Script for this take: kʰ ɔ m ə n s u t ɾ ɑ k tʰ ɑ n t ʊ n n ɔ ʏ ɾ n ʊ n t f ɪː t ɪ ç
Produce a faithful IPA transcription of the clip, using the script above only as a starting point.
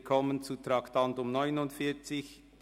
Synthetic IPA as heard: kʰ ɔ m ə n t͡s u t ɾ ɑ k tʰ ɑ n t ʊ m n ɔ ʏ n ʊ n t f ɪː t͡s ɪ ç

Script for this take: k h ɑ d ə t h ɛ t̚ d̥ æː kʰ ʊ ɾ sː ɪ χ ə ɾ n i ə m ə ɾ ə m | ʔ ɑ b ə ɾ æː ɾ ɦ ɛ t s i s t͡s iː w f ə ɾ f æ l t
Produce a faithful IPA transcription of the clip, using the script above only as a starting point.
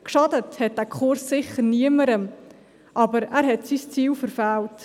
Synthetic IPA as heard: k ʃ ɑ d ə t h ɛ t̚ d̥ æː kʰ ʊ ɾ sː ɪ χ ə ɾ n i ə m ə ɾ ə m | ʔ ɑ b ə ɾ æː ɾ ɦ ɛ t s i s t͡s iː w f ə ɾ f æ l t

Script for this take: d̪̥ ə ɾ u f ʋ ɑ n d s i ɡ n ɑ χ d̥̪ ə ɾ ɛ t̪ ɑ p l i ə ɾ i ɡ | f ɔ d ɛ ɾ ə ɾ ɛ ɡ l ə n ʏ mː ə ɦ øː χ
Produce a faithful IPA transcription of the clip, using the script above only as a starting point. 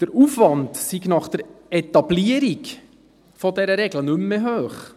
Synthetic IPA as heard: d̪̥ ə ɾ u f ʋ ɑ n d s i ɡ n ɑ χ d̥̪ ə ɾ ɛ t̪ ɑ b l i ə ɾ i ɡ | f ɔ d ɛ ɾ ə ɾ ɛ ɡ l ə n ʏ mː ə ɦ øː χ

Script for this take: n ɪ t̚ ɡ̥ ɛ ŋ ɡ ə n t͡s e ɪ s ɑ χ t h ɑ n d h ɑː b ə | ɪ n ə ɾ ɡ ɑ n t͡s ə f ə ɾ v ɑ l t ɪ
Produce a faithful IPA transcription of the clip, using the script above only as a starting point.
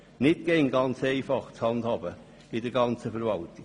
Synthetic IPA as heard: n ɪ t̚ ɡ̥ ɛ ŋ ɡ ɑ n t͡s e ɪ f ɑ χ t͡s h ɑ n d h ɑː b ə | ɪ d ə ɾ ɡ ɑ n t͡s ə f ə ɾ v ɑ l t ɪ

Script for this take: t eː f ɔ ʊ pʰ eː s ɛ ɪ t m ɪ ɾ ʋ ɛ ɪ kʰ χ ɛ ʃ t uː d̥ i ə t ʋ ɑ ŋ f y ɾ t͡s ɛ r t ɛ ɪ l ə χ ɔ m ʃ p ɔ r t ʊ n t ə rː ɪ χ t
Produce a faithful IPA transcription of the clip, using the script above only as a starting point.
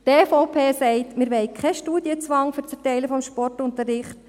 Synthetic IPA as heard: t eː f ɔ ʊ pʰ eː s ɛ ɪ t m ɪ ɾ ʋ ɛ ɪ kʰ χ ɛ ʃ t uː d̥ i ə t͡s ʋ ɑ ŋ f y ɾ t͡s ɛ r t ɛ ɪ l ə f ɔ m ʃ p ɔ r t ʊ n t ə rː ɪ χ t

